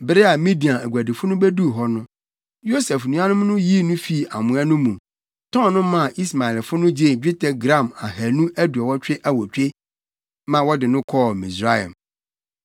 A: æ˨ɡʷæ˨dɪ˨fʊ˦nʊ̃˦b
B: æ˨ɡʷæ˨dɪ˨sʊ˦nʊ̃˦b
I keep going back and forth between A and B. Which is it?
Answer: A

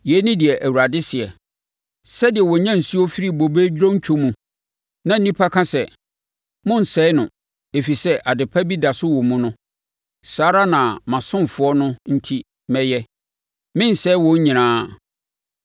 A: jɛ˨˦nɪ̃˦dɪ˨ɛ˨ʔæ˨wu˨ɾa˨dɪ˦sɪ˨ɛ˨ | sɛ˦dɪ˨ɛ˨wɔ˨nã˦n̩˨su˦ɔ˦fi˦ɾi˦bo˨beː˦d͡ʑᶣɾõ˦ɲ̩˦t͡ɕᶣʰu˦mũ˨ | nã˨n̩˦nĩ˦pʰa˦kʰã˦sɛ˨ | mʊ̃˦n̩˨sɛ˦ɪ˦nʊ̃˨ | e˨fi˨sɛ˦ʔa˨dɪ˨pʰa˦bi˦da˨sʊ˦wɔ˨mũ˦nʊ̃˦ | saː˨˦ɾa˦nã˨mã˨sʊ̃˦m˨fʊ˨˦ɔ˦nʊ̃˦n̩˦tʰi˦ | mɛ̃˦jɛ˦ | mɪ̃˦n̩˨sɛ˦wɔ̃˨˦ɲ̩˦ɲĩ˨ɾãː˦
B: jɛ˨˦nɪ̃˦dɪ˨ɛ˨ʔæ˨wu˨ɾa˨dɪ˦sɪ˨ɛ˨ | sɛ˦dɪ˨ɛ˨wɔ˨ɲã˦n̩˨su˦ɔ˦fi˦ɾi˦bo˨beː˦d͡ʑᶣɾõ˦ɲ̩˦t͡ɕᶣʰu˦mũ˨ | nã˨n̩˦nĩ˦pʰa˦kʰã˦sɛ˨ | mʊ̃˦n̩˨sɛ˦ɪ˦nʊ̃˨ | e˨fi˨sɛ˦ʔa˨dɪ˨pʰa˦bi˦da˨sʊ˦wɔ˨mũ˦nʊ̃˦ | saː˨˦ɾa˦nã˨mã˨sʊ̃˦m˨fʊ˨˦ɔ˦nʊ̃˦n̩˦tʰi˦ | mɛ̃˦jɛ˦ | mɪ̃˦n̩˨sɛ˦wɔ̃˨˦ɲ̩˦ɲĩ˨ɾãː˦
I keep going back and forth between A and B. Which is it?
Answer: B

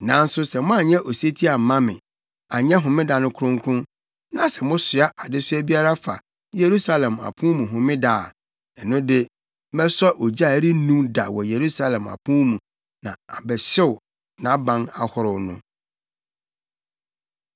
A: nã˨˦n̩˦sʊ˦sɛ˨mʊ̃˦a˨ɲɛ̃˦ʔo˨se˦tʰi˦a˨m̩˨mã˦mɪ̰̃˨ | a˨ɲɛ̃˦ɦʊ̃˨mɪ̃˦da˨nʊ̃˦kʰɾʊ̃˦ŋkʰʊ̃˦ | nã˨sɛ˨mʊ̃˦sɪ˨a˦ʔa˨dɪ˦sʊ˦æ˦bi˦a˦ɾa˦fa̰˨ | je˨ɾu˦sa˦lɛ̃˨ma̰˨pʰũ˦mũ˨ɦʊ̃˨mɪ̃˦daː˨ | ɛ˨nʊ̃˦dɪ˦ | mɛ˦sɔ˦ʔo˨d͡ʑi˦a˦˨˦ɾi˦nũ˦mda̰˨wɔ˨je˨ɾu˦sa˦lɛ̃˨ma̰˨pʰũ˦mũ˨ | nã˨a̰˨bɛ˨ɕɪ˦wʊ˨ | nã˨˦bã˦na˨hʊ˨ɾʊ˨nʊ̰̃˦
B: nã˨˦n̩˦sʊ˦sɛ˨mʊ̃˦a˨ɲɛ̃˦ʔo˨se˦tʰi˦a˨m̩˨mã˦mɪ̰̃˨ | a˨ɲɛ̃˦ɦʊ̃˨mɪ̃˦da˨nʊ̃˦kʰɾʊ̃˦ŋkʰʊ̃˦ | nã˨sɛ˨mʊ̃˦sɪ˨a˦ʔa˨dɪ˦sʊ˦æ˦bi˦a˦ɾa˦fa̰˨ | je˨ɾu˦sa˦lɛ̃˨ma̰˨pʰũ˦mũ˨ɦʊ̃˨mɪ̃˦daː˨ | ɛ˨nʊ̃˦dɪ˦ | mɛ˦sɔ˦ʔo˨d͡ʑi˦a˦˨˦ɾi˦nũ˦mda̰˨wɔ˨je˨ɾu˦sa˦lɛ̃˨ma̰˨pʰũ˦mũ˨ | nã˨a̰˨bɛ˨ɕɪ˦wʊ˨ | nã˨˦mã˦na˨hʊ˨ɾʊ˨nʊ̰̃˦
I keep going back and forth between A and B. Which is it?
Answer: A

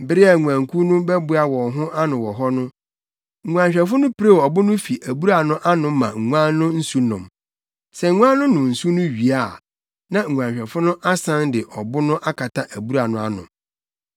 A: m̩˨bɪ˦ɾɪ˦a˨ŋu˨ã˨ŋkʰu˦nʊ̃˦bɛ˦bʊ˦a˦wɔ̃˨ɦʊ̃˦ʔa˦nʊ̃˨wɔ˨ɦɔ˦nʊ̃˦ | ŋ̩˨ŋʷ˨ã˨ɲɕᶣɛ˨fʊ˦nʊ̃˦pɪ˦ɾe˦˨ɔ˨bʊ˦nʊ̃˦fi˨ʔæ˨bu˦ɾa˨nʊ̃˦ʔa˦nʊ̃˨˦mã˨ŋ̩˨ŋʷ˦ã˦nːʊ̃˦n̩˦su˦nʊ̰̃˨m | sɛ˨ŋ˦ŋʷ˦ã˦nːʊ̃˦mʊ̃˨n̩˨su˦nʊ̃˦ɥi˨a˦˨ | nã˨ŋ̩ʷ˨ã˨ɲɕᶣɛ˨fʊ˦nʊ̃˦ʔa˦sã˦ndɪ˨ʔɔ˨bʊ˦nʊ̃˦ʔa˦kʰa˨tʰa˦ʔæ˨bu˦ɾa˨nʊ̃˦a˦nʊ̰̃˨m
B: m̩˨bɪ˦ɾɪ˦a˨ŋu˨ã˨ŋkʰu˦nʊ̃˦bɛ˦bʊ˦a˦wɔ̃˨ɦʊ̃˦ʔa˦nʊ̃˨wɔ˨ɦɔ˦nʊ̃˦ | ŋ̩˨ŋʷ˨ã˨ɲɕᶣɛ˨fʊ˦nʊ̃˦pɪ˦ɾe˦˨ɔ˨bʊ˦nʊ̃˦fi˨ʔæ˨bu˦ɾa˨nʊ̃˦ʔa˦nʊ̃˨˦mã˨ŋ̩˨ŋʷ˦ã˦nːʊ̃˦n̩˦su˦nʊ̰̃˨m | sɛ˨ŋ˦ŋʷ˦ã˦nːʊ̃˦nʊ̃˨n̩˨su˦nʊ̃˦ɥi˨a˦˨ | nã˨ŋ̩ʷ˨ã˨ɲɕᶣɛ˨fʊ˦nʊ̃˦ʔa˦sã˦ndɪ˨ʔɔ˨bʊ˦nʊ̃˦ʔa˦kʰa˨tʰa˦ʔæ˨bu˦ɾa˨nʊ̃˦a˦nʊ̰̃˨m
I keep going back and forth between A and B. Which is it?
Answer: B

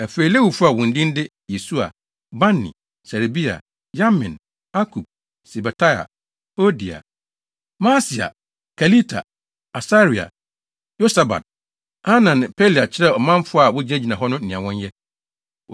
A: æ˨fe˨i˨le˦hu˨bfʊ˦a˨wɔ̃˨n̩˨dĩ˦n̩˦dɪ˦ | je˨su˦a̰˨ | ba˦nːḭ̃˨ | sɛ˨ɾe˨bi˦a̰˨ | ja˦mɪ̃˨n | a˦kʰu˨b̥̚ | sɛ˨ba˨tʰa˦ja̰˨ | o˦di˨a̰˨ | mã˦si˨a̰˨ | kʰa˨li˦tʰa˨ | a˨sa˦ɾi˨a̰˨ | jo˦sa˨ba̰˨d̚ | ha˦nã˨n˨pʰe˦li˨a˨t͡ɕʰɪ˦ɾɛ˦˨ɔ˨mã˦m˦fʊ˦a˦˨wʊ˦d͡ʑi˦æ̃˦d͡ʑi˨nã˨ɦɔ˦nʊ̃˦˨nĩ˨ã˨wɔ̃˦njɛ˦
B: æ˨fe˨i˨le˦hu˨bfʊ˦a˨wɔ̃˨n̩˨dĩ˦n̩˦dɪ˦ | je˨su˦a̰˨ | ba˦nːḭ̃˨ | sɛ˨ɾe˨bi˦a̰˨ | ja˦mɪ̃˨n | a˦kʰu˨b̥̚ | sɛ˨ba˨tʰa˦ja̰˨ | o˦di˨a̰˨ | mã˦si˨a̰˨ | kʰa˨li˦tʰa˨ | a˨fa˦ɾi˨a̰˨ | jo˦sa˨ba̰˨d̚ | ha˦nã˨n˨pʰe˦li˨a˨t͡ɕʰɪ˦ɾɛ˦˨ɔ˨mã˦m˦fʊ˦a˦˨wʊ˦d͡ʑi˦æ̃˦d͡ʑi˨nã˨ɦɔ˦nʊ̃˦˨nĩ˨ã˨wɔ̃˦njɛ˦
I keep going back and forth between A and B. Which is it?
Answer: A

